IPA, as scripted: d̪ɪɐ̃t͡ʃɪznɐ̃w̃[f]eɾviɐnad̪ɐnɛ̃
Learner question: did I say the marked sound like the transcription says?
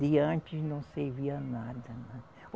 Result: no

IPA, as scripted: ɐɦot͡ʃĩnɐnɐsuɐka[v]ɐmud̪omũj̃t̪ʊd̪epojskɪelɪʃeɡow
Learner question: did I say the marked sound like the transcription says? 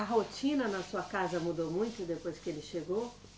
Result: no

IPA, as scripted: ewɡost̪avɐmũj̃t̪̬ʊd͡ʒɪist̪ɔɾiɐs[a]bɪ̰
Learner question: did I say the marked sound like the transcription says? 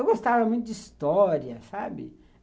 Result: yes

